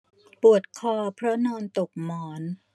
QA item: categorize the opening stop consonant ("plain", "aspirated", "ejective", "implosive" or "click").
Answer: plain